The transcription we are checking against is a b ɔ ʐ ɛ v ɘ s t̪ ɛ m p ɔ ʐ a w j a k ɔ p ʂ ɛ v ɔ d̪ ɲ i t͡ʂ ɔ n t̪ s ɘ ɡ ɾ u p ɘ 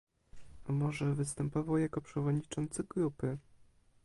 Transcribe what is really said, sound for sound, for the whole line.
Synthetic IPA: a m ɔ ʐ ɛ v ɘ s t̪ ɛ m p ɔ v a w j a k ɔ p ʂ ɛ v ɔ d̪ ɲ i t͡ʂ ɔ n t̪ s ɘ ɡ ɾ u p ɘ